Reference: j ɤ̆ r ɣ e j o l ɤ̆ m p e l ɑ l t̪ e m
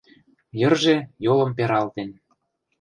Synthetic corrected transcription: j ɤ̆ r ʒ e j o l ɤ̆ m p e ɾ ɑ l t̪ e n